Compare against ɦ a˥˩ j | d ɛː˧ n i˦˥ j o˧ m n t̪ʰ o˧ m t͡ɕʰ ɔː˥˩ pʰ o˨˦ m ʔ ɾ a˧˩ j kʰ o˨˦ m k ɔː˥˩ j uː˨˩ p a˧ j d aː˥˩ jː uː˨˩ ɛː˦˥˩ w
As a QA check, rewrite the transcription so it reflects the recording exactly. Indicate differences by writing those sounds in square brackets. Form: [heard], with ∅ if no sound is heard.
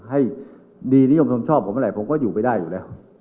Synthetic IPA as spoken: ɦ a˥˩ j | d [iː˧] n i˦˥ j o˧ m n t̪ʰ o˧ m t͡ɕʰ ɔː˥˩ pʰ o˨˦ m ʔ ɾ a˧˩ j [pʰ] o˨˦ m k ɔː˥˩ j uː˨˩ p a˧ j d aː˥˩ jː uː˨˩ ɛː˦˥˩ w